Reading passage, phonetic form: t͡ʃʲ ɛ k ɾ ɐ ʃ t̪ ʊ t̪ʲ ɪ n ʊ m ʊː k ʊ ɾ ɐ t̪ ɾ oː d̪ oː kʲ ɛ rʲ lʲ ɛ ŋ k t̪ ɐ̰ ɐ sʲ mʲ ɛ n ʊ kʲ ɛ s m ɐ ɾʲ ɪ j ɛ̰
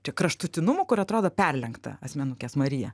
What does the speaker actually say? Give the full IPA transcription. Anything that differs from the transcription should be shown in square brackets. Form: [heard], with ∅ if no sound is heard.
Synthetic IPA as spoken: t͡ʃʲ ɛ k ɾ ɐ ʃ t̪ ʊ t̪ʲ ɪ n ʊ m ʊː k ʊ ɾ ɐ t̪ ɾ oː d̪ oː [pʲ] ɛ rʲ lʲ ɛ ŋ k t̪ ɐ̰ ɐ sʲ mʲ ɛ n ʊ kʲ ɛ s m ɐ ɾʲ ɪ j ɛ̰